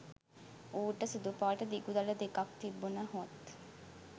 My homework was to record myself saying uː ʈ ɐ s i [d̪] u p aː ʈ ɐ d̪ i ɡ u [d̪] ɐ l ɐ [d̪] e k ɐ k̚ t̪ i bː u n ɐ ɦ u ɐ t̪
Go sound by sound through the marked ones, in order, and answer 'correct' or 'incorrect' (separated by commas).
correct, correct, correct